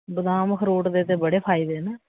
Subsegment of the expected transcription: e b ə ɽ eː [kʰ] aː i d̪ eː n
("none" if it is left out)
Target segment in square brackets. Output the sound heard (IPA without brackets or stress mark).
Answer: pʰ